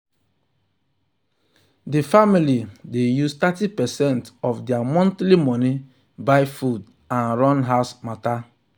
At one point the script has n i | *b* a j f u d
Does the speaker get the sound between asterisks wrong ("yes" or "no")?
no